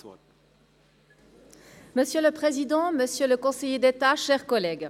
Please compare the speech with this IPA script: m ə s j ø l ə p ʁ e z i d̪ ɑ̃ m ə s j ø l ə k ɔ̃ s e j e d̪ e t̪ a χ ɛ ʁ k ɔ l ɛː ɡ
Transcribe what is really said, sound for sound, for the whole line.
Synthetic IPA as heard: m ə s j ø l ə p χ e z i d̪ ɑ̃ m ə s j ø l ə k ɔ̃ s e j e d̪ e t̪ a ʃ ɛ ʁ k ɔ l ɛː ɡ